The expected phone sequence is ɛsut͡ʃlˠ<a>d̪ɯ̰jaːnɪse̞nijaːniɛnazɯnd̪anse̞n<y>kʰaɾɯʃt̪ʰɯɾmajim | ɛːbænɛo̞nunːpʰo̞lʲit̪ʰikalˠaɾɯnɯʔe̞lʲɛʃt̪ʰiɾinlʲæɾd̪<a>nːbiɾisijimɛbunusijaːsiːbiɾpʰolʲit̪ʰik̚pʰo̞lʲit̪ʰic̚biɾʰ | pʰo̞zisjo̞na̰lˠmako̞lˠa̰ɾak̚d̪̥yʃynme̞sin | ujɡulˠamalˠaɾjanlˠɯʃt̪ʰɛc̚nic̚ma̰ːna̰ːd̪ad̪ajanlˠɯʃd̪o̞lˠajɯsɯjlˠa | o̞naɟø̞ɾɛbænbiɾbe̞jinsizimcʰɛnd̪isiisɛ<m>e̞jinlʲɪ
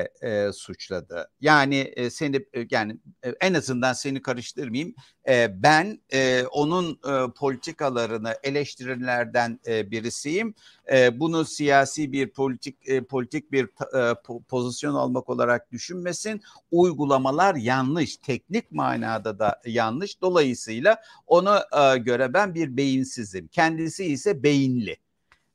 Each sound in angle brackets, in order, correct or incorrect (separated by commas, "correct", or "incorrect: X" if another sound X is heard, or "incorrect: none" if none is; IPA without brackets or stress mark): correct, incorrect: i, incorrect: æ, incorrect: b